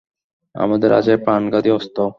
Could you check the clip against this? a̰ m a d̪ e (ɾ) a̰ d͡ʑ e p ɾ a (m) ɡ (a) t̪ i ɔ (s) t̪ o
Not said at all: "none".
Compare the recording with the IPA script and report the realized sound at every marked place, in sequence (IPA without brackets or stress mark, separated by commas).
ɾ, n, a, s